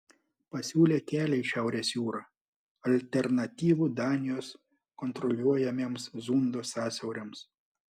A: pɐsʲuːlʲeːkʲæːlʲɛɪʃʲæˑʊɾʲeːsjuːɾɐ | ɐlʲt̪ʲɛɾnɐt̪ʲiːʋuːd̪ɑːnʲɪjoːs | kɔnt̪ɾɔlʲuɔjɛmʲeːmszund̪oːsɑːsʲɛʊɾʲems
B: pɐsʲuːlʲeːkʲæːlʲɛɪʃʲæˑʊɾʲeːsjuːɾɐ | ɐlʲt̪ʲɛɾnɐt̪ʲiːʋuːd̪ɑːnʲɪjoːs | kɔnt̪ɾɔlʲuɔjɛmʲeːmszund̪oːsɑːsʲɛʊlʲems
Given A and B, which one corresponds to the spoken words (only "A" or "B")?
A